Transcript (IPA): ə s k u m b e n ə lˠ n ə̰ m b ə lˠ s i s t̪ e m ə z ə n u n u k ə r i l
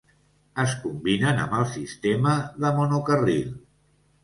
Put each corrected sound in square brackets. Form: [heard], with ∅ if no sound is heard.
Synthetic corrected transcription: ə s k u m b [i] n ə [∅] n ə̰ m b ə lˠ s i s t̪ e m ə [ð] ə [m] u n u k ə r i l